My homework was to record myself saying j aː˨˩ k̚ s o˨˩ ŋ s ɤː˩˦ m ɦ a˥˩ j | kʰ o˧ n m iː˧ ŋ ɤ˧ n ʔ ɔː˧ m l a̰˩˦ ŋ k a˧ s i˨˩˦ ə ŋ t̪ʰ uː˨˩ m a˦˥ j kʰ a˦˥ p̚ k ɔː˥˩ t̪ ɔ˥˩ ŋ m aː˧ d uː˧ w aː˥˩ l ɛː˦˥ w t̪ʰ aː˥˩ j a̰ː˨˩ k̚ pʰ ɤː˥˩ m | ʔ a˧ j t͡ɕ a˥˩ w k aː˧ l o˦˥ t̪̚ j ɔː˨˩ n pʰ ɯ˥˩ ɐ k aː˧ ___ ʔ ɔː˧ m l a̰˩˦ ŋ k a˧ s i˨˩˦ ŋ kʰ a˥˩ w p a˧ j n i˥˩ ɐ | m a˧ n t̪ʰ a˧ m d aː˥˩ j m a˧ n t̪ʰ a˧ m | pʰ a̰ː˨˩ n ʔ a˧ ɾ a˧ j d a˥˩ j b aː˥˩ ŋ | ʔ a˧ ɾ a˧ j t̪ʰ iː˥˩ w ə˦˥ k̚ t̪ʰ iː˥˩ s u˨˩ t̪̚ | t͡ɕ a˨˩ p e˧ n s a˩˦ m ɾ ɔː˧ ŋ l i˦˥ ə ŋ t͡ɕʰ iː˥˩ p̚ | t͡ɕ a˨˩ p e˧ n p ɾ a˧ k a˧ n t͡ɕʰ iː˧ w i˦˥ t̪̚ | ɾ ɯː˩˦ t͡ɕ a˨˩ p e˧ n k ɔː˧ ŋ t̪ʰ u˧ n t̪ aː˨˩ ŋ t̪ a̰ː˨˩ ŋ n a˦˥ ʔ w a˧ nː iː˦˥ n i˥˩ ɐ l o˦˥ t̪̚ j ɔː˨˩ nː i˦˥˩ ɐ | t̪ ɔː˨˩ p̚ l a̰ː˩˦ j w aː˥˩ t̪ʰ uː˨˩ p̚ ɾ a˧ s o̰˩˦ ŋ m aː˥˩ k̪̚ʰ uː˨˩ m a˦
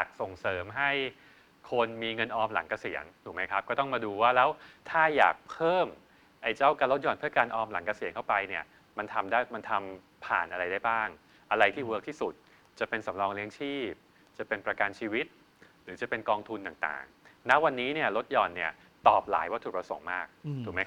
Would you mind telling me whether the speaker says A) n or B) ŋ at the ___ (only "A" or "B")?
A